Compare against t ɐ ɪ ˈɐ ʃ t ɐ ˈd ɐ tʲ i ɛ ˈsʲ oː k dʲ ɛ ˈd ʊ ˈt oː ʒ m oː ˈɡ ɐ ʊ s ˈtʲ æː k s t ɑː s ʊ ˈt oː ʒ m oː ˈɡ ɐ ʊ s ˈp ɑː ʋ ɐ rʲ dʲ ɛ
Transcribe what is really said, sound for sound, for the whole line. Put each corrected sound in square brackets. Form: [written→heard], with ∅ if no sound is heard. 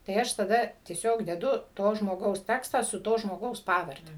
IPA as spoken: t ɐ ɪ ˈɐ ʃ t ɐ ˈd ɐ tʲ i ɛ ˈsʲ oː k dʲ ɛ ˈd ʊ ˈt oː ʒ m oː ˈɡ ɐ ʊ s ˈtʲ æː k s t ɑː s ʊ ˈt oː ʒ m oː ˈɡ ɐ ʊ s ˈp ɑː ʋ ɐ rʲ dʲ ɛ